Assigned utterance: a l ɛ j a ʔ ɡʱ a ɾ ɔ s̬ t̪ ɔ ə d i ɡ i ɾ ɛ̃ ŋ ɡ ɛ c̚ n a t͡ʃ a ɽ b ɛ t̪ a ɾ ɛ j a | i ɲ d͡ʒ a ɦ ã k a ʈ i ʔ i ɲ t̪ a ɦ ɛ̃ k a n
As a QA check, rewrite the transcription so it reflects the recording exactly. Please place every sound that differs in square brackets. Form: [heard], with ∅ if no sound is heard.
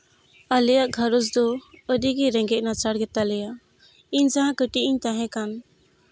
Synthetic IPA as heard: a l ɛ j a ʔ ɡʱ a ɾ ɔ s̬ [d̪] ɔ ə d i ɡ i ɾ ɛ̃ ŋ ɡ ɛ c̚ n a t͡ʃ a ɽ [ɡ] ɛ t̪ a [l] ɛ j a | i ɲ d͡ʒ a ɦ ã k [ə] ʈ i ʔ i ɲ t̪ a ɦ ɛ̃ k a n

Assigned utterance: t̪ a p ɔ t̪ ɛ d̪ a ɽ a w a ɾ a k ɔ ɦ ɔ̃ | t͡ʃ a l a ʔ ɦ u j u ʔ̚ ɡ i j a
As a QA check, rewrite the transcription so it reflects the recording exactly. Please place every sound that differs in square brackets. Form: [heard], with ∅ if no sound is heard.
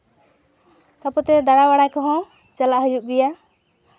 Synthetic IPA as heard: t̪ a p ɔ t̪ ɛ d̪ a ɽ a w a [ɽ] a k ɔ ɦ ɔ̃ | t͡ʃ a l a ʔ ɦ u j u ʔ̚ ɡ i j a

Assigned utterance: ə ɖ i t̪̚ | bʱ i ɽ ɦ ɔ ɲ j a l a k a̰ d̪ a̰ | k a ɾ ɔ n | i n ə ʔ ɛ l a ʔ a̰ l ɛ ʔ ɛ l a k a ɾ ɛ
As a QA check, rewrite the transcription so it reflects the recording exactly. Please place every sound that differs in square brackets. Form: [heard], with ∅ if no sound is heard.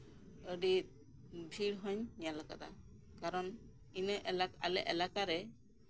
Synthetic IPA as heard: ə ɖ i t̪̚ | bʱ i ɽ ɦ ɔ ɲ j a l a k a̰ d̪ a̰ | k a ɾ ɔ n | i n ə ʔ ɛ l a [k] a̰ l ɛ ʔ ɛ l a k a ɾ ɛ

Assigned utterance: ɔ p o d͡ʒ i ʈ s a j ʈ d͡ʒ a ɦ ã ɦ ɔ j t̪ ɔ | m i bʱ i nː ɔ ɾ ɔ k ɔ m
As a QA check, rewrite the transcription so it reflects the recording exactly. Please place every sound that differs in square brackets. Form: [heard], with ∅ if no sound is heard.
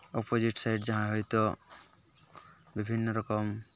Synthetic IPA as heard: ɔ p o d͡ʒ i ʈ s a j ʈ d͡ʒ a ɦ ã ɦ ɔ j t̪ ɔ | [b] i bʱ i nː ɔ ɾ ɔ k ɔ m

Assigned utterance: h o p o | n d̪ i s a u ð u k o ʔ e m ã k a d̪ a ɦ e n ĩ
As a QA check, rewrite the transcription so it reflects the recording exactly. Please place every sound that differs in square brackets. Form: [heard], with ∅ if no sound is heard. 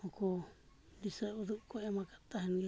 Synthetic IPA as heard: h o [k] o | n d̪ i s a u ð u k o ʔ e m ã k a [t̪] a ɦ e n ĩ

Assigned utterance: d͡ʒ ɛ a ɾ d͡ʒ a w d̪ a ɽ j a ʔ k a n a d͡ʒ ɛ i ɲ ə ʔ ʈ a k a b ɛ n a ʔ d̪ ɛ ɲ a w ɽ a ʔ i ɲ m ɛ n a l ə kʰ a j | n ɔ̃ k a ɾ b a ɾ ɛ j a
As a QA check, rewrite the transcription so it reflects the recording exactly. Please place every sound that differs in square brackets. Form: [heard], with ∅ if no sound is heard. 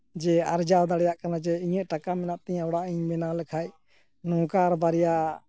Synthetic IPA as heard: d͡ʒ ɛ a ɾ d͡ʒ a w d̪ a ɽ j a ʔ k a n a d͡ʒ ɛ i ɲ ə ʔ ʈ a k a [m] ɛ n a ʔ [t̪] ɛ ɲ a w ɽ a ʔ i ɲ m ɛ n a l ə kʰ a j | n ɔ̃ k a ɾ b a ɾ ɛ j a

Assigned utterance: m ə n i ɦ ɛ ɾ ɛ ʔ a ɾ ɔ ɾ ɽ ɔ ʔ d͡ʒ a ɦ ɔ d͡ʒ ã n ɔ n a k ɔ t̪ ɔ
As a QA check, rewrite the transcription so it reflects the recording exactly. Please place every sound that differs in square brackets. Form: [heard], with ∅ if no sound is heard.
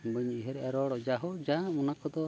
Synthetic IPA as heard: [b] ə [ɲ] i ɦ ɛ ɾ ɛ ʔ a ɾ ɔ [∅] ɽ ɔ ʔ d͡ʒ a ɦ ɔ d͡ʒ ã [m] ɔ n a k ɔ [d̪] ɔ

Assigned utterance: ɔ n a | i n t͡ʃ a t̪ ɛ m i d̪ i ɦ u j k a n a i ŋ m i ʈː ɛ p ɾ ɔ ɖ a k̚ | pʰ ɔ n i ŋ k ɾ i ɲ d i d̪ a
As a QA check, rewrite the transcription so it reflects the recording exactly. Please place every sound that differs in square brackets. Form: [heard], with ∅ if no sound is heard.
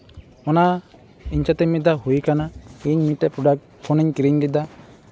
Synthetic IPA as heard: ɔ n a | i [ɲ] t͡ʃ a t̪ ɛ m i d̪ [a] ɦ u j k a n a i [ɲ] m i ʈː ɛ p ɾ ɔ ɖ a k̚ | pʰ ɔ n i [ɲ] k ɾ i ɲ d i d̪ a

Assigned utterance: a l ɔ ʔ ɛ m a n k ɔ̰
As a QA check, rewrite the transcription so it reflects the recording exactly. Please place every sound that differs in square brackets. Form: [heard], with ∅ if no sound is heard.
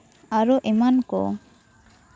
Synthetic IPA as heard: a [ɾ] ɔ ʔ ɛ m a n k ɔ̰

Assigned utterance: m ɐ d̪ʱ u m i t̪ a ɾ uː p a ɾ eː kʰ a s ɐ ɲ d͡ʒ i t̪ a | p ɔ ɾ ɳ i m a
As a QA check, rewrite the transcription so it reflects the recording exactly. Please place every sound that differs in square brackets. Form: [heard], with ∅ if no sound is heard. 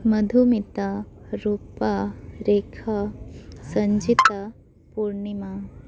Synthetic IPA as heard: m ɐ d̪ʱ u m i t̪ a ɾ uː p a ɾ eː kʰ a s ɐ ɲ d͡ʒ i t̪ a | p [u] ɾ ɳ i m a

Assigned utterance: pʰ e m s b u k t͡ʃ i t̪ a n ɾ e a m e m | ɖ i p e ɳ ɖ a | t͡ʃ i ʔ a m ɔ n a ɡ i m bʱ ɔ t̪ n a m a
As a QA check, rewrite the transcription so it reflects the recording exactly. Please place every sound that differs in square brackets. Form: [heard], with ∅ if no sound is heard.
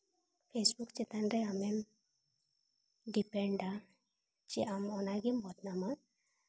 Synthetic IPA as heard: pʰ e [∅] s b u k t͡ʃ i t̪ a n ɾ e a m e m | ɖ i p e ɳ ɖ a | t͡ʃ i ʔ a m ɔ n a ɡ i m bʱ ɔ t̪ n a m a

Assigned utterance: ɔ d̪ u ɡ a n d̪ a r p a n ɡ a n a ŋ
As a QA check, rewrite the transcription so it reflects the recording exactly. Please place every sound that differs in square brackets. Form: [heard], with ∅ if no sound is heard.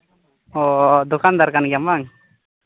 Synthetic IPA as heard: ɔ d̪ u [k] a n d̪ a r [k] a n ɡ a [m] a ŋ

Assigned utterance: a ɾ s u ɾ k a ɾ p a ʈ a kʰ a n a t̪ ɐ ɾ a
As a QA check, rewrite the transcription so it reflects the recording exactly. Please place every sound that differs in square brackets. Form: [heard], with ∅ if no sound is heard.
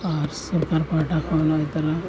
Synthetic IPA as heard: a ɾ s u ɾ k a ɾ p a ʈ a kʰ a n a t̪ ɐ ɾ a

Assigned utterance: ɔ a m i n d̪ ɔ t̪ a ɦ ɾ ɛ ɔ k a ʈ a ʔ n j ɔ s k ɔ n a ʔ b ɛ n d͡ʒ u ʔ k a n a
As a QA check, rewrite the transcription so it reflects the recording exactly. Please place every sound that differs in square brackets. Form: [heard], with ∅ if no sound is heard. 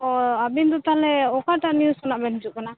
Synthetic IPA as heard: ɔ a [b] i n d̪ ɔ t̪ a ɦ [l] ɛ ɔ k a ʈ a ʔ n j [u] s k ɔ n a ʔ b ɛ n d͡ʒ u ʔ k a n a

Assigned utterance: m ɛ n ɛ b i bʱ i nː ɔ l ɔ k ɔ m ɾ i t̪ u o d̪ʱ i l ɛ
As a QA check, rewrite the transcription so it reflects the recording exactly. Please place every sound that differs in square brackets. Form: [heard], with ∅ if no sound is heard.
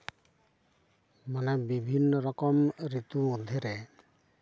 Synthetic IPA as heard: m [a] n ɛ b i bʱ i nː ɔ [ɾ] ɔ k ɔ m ɾ i t̪ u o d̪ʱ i [ɾ] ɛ

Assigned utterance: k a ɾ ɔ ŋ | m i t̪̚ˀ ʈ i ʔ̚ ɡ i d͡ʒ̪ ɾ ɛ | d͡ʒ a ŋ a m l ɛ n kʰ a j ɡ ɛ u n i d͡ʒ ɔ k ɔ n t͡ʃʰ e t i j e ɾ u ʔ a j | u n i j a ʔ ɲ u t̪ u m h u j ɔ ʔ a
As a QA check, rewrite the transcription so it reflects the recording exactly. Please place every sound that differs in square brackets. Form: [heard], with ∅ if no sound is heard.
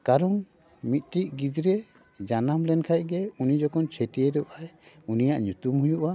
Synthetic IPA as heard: k a ɾ ɔ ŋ | m i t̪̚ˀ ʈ i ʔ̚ ɡ i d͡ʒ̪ ɾ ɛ | d͡ʒ a [n] a m l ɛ n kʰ a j ɡ ɛ u n i d͡ʒ ɔ k ɔ n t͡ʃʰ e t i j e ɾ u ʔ a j | u n i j a ʔ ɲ u t̪ u m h u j [u] ʔ a

